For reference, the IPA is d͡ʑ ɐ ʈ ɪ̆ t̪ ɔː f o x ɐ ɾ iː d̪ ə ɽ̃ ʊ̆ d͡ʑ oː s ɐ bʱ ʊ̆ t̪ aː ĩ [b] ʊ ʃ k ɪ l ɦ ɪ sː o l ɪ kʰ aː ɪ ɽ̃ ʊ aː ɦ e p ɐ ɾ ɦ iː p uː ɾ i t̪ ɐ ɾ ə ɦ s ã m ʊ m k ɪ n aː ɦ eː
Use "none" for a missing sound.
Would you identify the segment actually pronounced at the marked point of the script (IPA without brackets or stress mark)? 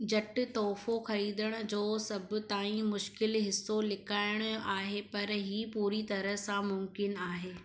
m